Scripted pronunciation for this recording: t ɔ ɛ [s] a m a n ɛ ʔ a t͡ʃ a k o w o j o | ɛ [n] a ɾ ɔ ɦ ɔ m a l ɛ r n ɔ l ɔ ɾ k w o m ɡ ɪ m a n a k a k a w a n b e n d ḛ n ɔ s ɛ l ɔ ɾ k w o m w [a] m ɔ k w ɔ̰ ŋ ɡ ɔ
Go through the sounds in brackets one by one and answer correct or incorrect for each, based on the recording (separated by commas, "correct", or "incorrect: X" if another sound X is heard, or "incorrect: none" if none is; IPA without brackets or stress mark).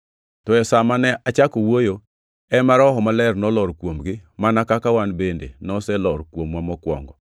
correct, incorrect: m, correct